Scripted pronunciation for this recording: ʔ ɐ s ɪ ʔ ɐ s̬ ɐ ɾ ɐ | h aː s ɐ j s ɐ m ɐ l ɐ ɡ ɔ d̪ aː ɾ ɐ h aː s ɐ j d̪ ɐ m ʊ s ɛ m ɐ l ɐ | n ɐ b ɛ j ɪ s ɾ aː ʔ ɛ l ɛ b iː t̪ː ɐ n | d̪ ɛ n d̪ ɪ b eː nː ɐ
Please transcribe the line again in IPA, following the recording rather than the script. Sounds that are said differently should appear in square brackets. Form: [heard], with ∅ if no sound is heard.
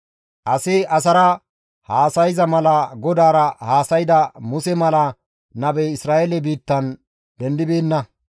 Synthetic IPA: ʔ ɐ s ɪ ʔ ɐ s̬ ɐ ɾ ɐ | h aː s ɐ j [z] ɐ m ɐ l ɐ ɡ ɔ d̪ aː ɾ ɐ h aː s ɐ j d̪ ɐ m ʊ s ɛ m ɐ l ɐ | n ɐ b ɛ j ɪ s ɾ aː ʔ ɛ l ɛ b iː t̪ː ɐ n | d̪ ɛ n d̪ ɪ b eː nː ɐ